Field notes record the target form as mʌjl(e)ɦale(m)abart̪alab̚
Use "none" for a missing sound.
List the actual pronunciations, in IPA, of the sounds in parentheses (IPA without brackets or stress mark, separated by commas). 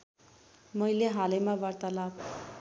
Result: e, m